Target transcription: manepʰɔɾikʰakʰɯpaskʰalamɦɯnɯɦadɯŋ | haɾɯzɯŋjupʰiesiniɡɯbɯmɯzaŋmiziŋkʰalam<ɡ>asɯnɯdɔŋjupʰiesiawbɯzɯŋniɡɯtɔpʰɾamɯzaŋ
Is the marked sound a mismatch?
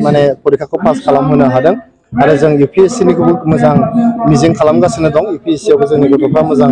no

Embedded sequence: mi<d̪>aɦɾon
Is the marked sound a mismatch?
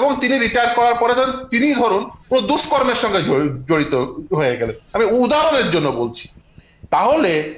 no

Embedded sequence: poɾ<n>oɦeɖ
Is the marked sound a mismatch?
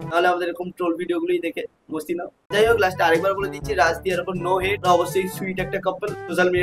no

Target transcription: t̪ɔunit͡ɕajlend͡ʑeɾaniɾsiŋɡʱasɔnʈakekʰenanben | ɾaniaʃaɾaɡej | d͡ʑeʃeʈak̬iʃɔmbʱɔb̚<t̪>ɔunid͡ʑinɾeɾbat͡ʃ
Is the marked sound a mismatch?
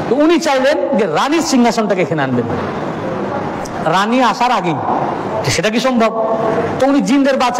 no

